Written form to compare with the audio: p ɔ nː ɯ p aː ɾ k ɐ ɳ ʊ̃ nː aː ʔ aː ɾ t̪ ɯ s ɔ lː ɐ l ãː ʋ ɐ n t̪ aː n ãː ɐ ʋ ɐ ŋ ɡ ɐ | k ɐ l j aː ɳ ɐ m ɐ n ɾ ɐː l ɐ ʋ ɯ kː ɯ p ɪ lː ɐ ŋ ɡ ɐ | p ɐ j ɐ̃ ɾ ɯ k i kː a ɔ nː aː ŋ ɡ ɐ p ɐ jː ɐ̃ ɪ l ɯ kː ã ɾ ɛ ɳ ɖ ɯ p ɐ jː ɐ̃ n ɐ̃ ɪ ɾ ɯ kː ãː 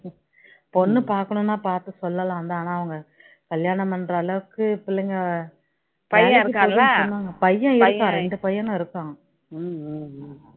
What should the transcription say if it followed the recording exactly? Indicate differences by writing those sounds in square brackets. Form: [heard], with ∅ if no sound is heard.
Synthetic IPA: p ɔ nː ɯ p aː ɾ k ɐ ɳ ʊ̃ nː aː [p] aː ɾ t̪ ɯ s ɔ lː ɐ l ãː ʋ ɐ n [d̪] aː n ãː ɐ ʋ ɐ ŋ ɡ ɐ | k ɐ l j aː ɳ ɐ m ɐ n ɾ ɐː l ɐ ʋ ɯ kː ɯ p ɪ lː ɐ ŋ ɡ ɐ | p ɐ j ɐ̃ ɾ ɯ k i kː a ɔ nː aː ŋ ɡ ɐ p ɐ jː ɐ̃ ɪ [ɾ] ɯ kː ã ɾ ɛ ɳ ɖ ɯ p ɐ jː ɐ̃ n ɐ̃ ɪ ɾ ɯ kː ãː